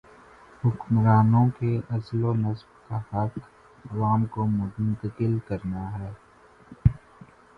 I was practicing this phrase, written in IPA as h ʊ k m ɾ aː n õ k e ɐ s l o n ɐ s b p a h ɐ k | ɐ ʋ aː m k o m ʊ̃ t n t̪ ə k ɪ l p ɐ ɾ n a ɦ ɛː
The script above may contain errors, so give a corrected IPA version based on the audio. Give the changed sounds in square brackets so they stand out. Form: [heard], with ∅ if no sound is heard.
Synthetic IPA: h ʊ k m ɾ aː n õ k e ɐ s l o n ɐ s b [k] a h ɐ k | ɐ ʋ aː m k o m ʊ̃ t n t̪ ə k ɪ l [k] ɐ ɾ n a ɦ ɛː